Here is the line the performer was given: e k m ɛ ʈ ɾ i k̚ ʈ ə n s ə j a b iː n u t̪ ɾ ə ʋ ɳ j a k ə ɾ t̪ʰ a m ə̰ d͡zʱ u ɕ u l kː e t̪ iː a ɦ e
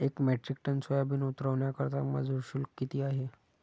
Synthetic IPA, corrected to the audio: e k m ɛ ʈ ɾ i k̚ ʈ ə n s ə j a b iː n u t̪ ɾ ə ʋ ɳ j a k ə ɾ t̪ a m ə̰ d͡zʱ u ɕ u l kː i t̪ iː a ɦ e